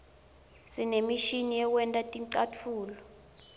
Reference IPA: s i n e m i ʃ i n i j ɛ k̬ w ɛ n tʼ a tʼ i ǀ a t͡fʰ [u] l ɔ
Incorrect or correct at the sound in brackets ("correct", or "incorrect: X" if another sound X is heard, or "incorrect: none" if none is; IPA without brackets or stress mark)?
incorrect: uː